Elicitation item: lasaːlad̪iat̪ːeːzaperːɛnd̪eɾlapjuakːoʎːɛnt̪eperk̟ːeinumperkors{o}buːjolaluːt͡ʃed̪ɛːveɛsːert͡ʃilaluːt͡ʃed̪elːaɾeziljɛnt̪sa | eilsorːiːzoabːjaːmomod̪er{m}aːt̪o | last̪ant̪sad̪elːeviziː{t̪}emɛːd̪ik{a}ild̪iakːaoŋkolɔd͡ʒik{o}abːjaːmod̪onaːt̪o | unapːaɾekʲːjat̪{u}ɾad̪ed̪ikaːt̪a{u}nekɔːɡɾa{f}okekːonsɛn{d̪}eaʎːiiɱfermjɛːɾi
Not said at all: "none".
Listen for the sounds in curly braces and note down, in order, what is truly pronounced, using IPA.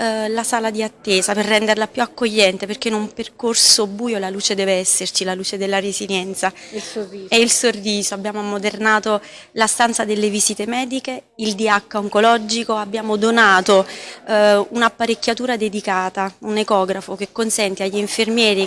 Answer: o, n, t̪, e, o, uː, u, f, t̪

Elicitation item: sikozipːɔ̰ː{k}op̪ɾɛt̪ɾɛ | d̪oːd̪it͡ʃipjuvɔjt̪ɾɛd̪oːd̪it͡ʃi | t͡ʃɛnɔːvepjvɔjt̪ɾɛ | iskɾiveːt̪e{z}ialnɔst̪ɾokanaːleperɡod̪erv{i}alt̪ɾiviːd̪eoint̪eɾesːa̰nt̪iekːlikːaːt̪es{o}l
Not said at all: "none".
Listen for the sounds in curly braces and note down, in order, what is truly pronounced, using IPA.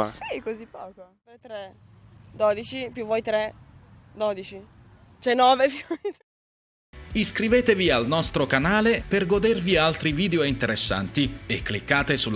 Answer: k, v, i, u

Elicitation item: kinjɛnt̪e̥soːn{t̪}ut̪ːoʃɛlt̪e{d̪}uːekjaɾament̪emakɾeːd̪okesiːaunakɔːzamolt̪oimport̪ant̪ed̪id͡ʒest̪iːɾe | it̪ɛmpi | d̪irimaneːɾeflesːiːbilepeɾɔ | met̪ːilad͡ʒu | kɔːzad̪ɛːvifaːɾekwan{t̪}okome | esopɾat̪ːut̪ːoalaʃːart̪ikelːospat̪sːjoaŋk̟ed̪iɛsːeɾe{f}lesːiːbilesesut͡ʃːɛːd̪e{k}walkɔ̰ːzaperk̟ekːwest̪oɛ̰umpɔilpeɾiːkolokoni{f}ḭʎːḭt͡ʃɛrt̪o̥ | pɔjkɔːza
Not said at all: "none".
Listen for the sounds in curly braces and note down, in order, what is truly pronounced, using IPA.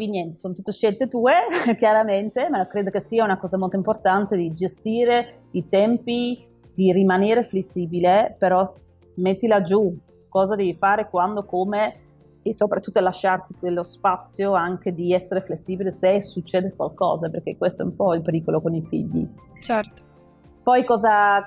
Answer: t̪, t̪, d̪, f, k, f

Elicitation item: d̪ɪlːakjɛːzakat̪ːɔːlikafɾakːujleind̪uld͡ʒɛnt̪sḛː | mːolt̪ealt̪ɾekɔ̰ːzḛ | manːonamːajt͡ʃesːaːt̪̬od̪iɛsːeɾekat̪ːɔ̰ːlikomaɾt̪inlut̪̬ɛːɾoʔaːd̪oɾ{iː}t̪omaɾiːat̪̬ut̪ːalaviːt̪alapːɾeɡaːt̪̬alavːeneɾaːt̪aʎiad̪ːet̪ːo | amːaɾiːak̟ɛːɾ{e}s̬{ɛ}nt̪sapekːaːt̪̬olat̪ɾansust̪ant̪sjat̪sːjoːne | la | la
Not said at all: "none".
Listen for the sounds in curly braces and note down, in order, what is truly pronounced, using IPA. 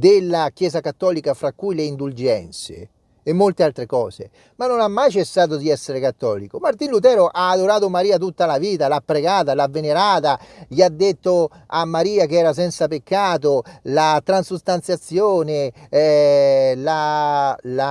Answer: aː, a, ɛ

